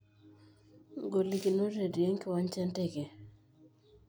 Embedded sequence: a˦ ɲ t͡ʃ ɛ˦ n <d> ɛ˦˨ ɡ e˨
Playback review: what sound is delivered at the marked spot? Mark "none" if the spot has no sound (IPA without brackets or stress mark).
t